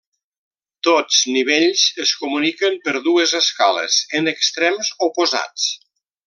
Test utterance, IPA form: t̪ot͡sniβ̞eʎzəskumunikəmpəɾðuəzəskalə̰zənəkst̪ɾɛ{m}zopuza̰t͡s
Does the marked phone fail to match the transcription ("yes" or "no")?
no